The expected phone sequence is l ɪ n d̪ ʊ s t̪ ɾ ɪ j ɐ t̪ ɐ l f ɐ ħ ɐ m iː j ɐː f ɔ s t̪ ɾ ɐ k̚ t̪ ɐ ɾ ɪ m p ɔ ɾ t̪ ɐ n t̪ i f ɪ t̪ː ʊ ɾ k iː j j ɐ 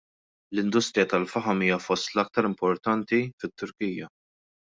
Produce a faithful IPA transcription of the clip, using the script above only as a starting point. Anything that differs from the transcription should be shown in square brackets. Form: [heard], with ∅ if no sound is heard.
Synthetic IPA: l ɪ n d̪ ʊ s t̪ ɾ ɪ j ɐ t̪ ɐ l f ɐ ħ ɐ m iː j [ɐ] f ɔ s t̪ [l] ɐ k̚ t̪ ɐ ɾ ɪ m p ɔ ɾ t̪ ɐ n t̪ i f ɪ t̪ː ʊ ɾ k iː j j ɐ